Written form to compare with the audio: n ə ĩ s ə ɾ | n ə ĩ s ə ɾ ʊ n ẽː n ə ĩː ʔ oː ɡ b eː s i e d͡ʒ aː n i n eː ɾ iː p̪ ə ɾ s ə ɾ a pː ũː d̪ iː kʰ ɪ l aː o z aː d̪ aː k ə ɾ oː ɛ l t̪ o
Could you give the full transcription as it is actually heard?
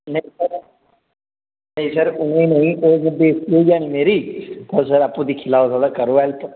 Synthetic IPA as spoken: n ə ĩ s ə ɾ | n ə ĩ s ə ɾ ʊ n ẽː n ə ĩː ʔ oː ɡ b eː s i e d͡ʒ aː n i m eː ɾ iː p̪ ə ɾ s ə ɾ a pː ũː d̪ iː kʰ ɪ l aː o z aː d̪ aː k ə ɾ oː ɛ l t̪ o